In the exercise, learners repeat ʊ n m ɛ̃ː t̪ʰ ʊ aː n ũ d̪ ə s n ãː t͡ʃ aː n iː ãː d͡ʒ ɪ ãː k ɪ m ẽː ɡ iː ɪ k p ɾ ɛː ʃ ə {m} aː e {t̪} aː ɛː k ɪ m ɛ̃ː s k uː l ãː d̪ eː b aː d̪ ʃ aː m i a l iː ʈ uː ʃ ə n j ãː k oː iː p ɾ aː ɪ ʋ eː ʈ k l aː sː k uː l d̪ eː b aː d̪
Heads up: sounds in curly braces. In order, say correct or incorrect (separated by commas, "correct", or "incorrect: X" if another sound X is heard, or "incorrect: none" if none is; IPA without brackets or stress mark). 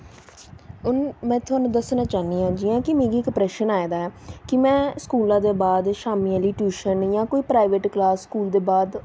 incorrect: n, incorrect: d̪